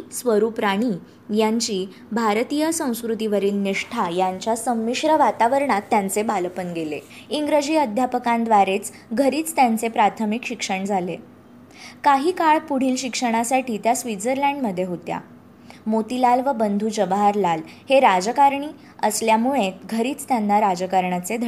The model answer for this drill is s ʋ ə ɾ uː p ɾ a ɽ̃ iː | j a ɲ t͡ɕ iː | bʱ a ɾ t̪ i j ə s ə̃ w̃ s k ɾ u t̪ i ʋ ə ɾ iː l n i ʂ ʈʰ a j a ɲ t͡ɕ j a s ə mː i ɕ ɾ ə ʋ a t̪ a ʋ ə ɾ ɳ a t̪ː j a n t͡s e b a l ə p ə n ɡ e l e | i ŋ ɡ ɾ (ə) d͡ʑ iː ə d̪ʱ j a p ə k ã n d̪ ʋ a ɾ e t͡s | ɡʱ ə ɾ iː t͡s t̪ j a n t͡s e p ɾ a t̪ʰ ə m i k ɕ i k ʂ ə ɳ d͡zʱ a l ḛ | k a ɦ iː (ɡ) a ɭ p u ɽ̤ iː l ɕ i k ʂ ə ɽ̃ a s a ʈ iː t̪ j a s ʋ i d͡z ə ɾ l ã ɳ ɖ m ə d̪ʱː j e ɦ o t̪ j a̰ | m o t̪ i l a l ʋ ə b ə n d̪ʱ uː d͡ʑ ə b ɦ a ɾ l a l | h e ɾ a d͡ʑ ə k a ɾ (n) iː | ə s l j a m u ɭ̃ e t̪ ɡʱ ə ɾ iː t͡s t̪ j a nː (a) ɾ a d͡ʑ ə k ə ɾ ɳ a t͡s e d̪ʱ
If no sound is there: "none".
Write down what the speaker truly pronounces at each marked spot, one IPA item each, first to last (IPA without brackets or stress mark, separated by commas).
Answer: ə, k, ɳ, a